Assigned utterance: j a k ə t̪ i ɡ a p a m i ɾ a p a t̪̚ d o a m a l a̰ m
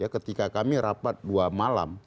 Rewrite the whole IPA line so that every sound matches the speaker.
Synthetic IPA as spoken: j a k ə t̪ i k a k a m i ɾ a p a t̪̚ d u a m a l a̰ m